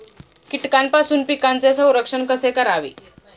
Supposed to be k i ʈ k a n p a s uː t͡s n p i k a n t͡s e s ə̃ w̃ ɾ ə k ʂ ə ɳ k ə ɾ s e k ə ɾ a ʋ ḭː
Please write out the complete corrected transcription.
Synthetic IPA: k i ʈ k a n p a s uː n p i k a n t͡s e s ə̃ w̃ ɾ ə k ʂ ə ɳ k ə s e k ə ɾ a ʋ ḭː

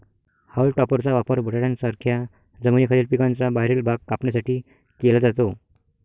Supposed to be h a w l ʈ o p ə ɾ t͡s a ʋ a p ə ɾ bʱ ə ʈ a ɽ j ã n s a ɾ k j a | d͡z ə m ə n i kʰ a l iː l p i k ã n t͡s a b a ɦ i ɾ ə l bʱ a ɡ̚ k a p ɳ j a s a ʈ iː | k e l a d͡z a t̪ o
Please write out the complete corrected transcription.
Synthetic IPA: h a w l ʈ ɔ p ə ɾ t͡s a ʋ a p ə ɾ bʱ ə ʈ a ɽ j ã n s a ɾ kʰ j a | d͡z ə m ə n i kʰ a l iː l p i k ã n t͡s a b a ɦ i ɾ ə l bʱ a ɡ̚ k a p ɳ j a s a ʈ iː | k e l a d͡z a t̪ o

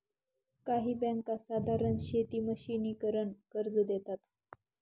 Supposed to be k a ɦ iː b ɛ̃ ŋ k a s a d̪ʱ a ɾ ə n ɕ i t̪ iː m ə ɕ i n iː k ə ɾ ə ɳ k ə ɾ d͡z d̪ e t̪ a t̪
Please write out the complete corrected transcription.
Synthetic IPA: k a ɦ iː b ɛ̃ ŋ k a s a d̪ʱ a ɾ ə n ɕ e t̪ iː m ə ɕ i n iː k ə ɾ ə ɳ k ə ɾ d͡z d̪ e t̪ a t̪

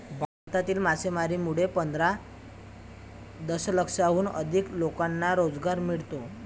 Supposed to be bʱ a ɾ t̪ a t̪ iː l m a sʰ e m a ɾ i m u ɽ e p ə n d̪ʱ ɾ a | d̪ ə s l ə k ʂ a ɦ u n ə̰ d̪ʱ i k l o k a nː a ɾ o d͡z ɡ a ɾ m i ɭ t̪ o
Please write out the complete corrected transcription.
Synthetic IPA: bʱ a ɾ t̪ a t̪ iː l m a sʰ e m a ɾ i m u ɽ e p ə n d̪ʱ ɾ a | d̪ ə s l ə k ʂ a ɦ uː n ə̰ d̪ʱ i k l o k a nː a ɾ o d͡z ɡ a ɾ m i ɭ t̪ o

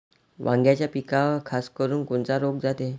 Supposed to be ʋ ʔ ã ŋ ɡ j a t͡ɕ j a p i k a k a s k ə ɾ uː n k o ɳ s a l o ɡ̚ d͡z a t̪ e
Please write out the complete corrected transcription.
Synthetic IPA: ʋ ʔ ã ŋ ɡ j a t͡ɕ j a p i k a kʰ a s k ə ɾ uː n k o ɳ t͡s a ɾ o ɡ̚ d͡z a t̪ e

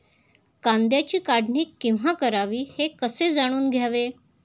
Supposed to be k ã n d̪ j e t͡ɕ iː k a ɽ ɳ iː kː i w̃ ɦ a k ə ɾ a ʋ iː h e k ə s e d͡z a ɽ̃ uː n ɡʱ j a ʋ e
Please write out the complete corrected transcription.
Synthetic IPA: k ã n d̪ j a t͡ɕ iː k a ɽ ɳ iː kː i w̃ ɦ a k ə ɾ a ʋ iː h e k ə s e d͡z a ɽ̃ uː n ɡʱ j a ʋ e

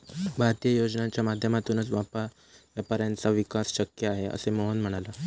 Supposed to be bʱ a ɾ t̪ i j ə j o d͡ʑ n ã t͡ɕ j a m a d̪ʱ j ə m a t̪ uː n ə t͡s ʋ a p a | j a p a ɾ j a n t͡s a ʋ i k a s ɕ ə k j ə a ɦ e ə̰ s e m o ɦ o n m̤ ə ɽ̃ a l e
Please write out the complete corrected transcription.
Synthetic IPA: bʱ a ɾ t̪ i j ə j o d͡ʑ n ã t͡ɕ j a m a d̪ʱ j ə m a t̪ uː n ə t͡s ʋ a p a | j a p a ɾ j a n t͡s a ʋ i k a s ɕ ə k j ə a ɦ e ə̰ s e m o ɦ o n m̤ ə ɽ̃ a l a

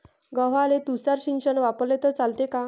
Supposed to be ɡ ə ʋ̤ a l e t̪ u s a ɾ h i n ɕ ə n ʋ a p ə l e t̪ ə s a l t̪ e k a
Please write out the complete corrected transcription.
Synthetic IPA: ɡ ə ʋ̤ a l e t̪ u s a ɾ ɕ i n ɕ ə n ʋ a p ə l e t̪ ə t͡s a l t̪ e k a

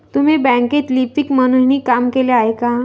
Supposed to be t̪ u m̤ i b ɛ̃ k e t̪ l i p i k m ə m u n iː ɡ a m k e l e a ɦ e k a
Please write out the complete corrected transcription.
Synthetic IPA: t̪ u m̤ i b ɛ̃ k e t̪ l i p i k m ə n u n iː k a m k e l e a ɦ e k a

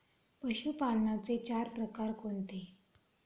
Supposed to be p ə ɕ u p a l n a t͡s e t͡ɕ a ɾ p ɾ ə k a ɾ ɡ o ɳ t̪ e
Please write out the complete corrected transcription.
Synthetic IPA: p ə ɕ u p a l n a t͡s e t͡ɕ a ɾ p ɾ ə k a ɾ k o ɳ t̪ e

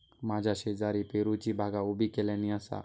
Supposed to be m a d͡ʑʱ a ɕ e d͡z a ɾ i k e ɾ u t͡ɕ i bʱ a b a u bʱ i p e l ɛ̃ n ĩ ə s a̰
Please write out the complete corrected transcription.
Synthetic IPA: m a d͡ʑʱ a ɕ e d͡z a ɾ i p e ɾ u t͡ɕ i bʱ a ɡ a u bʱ i k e l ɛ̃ n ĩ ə s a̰

